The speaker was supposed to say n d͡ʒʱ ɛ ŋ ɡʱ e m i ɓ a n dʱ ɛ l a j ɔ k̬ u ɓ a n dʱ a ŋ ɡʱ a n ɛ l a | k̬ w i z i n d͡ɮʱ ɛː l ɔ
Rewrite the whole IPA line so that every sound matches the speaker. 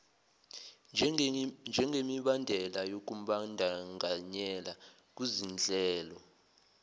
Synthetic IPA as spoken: n d͡ʒʱ ɛ ŋ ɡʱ e m i ɓ a n dʱ ɛ l a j o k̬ u ɓ a n dʱ a ŋ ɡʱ a ɲ ɛ l a | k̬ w i z i n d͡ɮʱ ɛː l ɔ